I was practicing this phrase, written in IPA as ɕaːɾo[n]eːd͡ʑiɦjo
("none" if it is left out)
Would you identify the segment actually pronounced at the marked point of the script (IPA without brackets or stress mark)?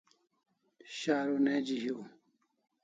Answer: n